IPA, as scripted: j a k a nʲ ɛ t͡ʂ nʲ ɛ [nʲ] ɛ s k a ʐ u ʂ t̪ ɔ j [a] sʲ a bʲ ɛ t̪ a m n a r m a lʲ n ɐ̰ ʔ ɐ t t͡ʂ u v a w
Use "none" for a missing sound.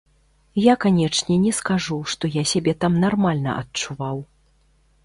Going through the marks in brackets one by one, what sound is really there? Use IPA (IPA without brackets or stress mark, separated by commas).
nʲ, a